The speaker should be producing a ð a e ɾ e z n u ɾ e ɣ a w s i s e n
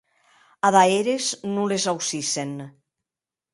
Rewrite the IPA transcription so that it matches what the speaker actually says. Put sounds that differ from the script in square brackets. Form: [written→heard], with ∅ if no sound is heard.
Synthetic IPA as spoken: a ð a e ɾ e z n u [ɾ→l] e [ɣ→z] a w s i s e n